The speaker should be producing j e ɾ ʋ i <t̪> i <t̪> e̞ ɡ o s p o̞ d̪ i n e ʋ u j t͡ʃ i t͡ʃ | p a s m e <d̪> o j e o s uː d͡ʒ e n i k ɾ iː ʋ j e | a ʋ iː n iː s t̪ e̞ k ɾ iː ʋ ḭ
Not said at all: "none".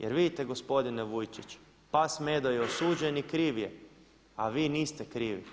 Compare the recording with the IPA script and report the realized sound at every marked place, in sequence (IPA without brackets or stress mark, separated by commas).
d̪, t̪, d̪